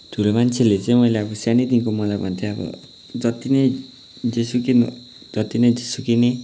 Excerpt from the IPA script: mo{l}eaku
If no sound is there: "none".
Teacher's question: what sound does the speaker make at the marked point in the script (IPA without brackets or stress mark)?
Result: l